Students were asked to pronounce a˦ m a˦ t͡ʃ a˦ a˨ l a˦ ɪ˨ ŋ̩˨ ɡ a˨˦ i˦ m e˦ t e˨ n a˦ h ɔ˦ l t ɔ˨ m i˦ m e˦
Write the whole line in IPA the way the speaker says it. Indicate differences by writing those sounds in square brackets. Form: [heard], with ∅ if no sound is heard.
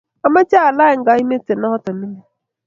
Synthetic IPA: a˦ m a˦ t͡ʃ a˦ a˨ l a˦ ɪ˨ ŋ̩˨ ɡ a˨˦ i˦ m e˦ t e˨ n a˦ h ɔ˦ [∅] t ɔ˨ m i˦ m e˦